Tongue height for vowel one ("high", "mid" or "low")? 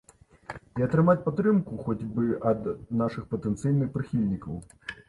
high